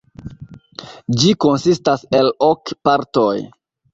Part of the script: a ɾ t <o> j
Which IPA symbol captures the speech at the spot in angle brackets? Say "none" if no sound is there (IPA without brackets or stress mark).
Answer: o